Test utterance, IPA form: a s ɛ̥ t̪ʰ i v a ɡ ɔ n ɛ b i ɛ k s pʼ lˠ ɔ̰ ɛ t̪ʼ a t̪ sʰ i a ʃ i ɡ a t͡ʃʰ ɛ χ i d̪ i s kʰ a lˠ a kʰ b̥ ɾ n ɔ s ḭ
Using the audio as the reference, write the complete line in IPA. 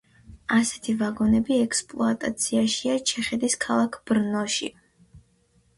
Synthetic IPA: a s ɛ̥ t̪ʰ i v a ɡ ɔ n ɛ b i ɛ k s pʼ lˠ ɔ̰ a t̪ʼ a t̪ sʰ i a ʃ i a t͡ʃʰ ɛ χ ɛ d̪ i s kʰ a lˠ a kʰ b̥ ɾ n ɔ ʃ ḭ